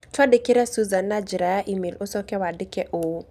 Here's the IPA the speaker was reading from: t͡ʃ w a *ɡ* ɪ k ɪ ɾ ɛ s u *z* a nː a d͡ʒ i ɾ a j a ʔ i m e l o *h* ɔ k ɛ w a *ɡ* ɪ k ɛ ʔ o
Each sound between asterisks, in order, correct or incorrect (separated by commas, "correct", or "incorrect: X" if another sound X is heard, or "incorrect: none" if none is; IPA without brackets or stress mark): incorrect: d, correct, incorrect: s, incorrect: d